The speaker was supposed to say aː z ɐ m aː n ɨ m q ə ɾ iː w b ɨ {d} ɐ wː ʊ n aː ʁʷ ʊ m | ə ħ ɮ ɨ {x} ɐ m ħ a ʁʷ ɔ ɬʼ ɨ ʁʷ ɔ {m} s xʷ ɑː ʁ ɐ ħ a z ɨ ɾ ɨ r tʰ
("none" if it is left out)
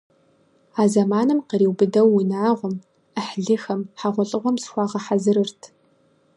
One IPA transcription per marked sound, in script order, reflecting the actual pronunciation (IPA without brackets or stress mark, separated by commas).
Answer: d, x, m